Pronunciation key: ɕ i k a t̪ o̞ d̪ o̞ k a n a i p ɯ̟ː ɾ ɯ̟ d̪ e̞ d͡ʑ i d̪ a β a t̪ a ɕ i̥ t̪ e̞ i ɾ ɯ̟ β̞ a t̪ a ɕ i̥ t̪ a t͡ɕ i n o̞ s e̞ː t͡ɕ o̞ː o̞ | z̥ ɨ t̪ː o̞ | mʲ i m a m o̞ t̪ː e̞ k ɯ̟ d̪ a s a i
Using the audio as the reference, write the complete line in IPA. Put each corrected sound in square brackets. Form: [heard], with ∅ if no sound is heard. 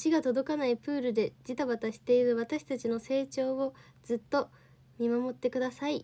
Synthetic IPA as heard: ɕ i [ɡ] a t̪ o̞ d̪ o̞ k a n a i p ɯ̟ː ɾ ɯ̟ d̪ e̞ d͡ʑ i [t̪] a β a t̪ a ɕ i̥ t̪ e̞ i ɾ ɯ̟ β̞ a t̪ a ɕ i̥ t̪ a t͡ɕ i n o̞ s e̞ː t͡ɕ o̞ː o̞ | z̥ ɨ t̪ː o̞ | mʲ i m a m o̞ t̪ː e̞ k ɯ̟ d̪ a s a i